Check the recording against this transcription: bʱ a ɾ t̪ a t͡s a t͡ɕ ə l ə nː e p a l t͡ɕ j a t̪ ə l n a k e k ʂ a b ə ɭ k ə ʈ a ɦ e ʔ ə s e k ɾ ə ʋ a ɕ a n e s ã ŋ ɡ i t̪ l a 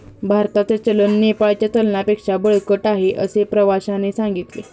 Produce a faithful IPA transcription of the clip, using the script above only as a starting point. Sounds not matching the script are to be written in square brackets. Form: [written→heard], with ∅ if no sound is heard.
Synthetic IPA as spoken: bʱ a ɾ t̪ a t͡s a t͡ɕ ə l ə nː e p a [l→ɭ] t͡ɕ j a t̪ ə l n a [k→p] e k ʂ a b ə ɭ k ə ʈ a ɦ e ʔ ə s e [k→p] ɾ ə ʋ a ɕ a n e s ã ŋ ɡ i t̪ l [a→e]

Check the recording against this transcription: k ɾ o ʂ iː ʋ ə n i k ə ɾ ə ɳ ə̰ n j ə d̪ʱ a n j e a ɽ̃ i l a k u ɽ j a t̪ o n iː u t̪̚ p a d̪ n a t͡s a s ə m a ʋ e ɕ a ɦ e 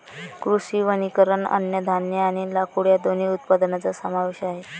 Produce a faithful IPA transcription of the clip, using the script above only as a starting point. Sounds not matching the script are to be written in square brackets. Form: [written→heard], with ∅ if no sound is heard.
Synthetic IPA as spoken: k ɾ [o→u] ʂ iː ʋ ə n i k ə ɾ ə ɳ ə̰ n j ə d̪ʱ a n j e a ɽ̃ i l a k u ɽ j a [t̪→d̪] o n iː u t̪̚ p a d̪ n a t͡s a s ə m a ʋ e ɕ a ɦ e

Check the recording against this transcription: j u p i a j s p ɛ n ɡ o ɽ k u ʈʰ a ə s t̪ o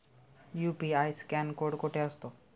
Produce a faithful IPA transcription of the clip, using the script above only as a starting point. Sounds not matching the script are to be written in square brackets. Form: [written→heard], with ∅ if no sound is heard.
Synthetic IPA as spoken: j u p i a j s [p→k] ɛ n [ɡ→k] o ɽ k [u→o] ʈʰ [a→e] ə s t̪ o

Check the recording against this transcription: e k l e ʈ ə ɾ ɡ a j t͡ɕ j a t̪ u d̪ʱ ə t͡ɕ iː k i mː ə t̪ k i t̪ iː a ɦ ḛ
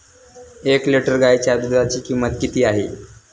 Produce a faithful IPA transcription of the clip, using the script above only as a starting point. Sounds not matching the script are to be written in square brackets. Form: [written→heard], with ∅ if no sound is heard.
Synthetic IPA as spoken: e k l e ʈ ə ɾ ɡ a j t͡ɕ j a [t̪→d̪] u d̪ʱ [ə→a] t͡ɕ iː k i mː ə t̪ k i t̪ iː a ɦ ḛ

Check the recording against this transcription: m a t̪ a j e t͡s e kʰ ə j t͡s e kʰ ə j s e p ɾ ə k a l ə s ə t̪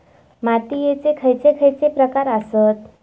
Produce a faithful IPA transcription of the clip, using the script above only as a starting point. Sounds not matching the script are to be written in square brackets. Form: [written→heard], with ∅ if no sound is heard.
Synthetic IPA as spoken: m a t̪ [a→i] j e t͡s e kʰ ə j t͡s e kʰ ə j [s→t͡s] e p ɾ ə k a [l→ɾ] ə s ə t̪

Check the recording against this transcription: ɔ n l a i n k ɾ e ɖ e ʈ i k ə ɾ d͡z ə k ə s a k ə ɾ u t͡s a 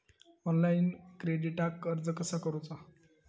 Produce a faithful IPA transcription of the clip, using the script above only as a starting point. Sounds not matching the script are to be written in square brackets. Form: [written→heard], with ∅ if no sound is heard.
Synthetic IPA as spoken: ɔ n l a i n k ɾ e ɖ [e→i] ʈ [i→a] k ə ɾ d͡z ə k ə s a k ə ɾ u t͡s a

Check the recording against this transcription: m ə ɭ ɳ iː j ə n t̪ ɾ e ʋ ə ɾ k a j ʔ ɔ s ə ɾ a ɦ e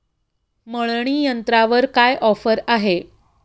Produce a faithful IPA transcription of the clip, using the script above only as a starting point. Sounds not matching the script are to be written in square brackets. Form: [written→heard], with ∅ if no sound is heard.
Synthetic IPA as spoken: m ə ɭ ɳ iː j ə n t̪ ɾ [e→a] ʋ ə ɾ k a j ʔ ɔ [s→f] ə ɾ a ɦ e

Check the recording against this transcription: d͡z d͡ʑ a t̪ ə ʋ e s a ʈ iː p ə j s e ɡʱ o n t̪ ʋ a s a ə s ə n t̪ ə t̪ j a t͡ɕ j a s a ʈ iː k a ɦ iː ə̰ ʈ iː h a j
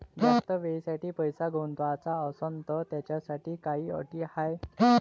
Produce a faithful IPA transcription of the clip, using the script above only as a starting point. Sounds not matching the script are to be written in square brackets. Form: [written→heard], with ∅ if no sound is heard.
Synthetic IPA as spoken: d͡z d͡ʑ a t̪ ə ʋ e s a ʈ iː p ə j s [e→a] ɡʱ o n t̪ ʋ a [s→t͡s] a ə s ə n t̪ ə t̪ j a t͡ɕ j a s a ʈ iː k a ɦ iː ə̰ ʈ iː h a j

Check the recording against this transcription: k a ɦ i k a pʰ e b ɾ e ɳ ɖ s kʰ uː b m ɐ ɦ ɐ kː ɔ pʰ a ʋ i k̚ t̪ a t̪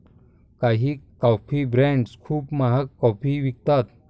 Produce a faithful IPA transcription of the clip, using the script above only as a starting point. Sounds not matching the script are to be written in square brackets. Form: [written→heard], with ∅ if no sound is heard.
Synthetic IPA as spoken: k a ɦ i k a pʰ [e→i] b ɾ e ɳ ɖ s kʰ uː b m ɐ ɦ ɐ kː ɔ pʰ [a→i] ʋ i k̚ t̪ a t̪

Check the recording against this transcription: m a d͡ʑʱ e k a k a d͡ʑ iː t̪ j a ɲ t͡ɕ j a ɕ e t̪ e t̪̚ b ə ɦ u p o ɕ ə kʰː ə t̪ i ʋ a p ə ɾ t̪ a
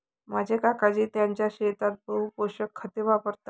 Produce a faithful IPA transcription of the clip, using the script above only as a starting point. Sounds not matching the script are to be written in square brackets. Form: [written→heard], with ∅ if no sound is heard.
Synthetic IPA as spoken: m a d͡ʑʱ e k a k a d͡ʑ iː t̪ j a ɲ t͡ɕ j a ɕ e t̪ [e→a] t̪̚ b ə ɦ u p o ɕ ə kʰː ə t̪ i ʋ a p ə ɾ t̪ a

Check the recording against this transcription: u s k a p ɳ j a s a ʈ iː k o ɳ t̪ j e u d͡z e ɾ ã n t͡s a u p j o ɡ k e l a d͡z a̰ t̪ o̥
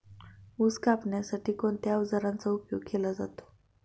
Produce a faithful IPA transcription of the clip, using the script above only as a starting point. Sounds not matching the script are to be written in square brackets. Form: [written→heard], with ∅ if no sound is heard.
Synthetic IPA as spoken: u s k a p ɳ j a s a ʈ iː k o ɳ t̪ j [e→a] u d͡z [e→a] ɾ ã n t͡s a u p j o ɡ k e l a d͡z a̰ t̪ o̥

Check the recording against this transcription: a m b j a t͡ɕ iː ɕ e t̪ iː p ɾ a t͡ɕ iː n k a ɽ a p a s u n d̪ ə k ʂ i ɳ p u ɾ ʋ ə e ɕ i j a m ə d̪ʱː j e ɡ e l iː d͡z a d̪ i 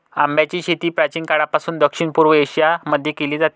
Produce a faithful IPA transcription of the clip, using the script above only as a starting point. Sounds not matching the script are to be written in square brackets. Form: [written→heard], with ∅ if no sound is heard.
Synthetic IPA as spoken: a m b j a t͡ɕ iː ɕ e t̪ iː p ɾ a t͡ɕ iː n k a ɽ a p a s [u→uː] n d̪ ə k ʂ i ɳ p u ɾ ʋ ə e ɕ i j a m ə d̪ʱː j e [ɡ→k] e l iː d͡z a [d̪→t̪] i

